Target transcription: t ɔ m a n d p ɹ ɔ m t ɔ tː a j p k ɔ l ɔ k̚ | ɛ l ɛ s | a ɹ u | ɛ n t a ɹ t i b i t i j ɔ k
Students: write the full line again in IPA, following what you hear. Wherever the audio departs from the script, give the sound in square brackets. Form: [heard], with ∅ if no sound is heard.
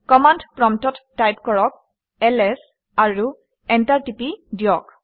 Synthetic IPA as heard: [k] ɔ m a n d p ɹ ɔ m t ɔ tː a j p k ɔ [ɹ] ɔ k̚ | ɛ l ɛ s | a ɹ u | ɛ n t a ɹ t i [p] i [d] i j ɔ k